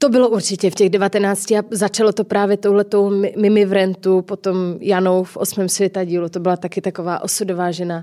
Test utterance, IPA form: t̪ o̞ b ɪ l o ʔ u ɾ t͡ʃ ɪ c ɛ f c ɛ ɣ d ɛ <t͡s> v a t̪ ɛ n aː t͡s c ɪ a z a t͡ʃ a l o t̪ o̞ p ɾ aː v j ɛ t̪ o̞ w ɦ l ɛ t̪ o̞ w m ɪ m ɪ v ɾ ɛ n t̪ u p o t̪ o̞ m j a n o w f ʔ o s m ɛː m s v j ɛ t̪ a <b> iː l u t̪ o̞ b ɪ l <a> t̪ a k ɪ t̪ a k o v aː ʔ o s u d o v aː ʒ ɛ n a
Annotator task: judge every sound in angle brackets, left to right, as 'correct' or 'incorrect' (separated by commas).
incorrect, incorrect, correct